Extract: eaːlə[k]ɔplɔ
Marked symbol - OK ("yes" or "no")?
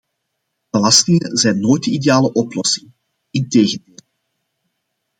no